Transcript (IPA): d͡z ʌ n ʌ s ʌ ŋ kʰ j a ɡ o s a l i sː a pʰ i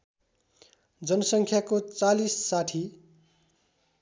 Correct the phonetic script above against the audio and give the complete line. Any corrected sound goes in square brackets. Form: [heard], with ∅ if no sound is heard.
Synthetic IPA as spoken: d͡z ʌ n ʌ s ʌ ŋ kʰ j a [k] o [t͡s] a l i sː a [ʈʰ] i

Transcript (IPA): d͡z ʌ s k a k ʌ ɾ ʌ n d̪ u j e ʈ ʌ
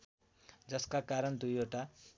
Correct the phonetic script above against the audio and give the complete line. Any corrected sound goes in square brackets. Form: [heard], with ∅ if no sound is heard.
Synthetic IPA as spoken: d͡z ʌ s k a k [a] ɾ ʌ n d̪ u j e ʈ [a]

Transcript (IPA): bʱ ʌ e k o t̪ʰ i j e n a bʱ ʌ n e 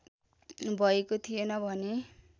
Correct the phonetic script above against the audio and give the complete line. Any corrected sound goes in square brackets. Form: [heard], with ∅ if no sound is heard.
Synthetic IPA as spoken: bʱ ʌ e k o t̪ʰ i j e n [ʌ] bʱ ʌ n e

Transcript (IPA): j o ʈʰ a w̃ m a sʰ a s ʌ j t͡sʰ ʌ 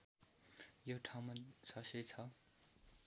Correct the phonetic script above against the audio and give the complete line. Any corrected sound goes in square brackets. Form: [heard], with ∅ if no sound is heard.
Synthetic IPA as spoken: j o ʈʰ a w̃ m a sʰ [ʌ] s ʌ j t͡sʰ ʌ

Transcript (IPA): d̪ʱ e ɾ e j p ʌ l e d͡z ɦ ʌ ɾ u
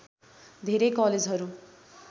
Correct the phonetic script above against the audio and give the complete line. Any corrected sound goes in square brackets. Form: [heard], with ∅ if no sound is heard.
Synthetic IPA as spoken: d̪ʱ e ɾ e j [k] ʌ l e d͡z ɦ ʌ ɾ u

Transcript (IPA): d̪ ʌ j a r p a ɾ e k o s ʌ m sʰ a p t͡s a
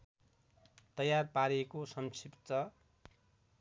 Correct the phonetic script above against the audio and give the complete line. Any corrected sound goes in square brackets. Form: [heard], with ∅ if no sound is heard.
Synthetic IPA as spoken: [t̪] ʌ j a r p a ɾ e k o s ʌ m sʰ [i] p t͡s [ʌ]

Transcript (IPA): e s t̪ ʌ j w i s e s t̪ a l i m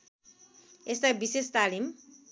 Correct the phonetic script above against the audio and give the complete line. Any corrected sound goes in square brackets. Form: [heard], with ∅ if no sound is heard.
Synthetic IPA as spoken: e s t̪ [a] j [b] i s e s t̪ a l i m

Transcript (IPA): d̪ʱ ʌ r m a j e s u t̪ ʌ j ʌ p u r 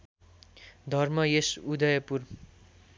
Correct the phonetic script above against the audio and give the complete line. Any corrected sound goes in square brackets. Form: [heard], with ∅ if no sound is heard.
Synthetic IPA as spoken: d̪ʱ ʌ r m [ʌ] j e s u [d̪] ʌ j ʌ p u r

